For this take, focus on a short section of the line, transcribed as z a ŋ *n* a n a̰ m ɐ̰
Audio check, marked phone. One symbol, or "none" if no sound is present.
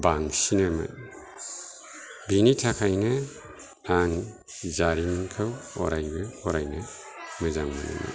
m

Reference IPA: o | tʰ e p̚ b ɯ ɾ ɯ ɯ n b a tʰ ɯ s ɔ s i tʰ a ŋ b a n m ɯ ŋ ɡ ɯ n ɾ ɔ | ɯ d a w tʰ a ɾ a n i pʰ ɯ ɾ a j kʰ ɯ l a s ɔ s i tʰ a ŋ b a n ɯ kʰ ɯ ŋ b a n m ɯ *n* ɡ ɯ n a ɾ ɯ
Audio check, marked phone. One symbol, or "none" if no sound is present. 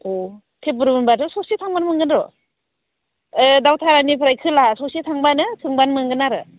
ŋ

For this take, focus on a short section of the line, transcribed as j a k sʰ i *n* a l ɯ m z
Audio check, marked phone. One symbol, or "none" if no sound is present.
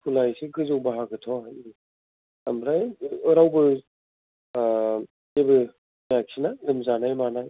n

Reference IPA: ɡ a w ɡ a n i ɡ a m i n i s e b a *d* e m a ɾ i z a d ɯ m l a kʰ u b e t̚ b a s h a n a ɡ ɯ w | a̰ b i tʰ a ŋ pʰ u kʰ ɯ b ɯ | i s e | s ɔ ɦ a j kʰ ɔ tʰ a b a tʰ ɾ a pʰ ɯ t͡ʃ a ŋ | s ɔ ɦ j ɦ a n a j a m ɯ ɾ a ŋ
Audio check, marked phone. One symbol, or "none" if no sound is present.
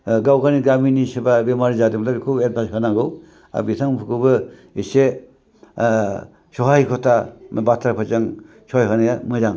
b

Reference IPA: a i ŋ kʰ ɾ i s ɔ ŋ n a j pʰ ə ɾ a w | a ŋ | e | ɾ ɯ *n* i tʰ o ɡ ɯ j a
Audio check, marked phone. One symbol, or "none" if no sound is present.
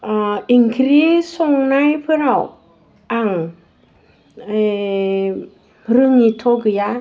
ŋ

